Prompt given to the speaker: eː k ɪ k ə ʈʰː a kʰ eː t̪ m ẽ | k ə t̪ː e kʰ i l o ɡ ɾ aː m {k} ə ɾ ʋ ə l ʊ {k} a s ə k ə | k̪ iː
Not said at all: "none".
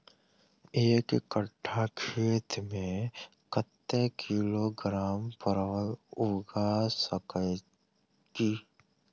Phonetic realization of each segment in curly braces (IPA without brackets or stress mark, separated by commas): p, ɡ